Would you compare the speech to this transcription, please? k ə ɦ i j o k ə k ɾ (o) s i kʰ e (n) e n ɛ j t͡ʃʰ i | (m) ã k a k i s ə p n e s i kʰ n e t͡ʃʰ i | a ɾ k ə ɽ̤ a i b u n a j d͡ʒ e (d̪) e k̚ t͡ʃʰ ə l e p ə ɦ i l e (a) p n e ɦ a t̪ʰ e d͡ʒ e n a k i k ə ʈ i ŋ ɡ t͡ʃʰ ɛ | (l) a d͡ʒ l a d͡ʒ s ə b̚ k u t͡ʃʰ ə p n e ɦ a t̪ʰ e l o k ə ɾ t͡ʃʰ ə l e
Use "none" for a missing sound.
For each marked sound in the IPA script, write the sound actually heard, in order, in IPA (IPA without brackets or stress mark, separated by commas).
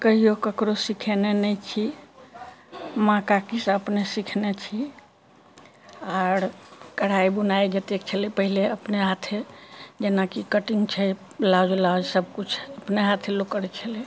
o, n, m, t̪, ə, l